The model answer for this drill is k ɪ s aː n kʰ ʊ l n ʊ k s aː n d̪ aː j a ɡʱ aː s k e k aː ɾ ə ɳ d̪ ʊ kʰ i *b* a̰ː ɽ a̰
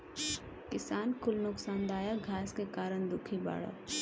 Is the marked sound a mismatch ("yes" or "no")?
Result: no